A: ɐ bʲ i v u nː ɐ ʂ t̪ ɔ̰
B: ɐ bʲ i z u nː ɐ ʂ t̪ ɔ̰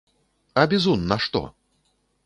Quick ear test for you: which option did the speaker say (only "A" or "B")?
B